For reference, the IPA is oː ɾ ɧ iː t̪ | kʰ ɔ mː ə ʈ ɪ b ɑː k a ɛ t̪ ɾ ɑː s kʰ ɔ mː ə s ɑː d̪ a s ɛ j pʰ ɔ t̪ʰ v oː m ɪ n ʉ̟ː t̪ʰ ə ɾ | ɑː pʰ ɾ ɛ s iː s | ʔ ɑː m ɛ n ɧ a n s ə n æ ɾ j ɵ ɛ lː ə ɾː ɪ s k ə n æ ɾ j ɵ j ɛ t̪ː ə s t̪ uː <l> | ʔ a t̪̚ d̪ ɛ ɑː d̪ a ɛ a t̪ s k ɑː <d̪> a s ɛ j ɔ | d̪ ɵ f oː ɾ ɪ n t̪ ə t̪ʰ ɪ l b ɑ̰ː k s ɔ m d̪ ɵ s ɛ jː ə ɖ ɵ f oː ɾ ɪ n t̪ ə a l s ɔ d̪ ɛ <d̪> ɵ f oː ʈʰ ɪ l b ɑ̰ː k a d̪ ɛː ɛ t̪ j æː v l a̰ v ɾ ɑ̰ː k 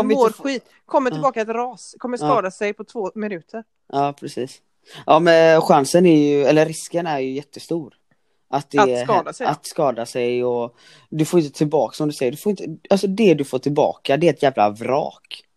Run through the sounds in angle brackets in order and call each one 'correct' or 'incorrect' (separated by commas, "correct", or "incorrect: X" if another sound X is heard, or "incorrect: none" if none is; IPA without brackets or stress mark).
incorrect: ɾ, correct, correct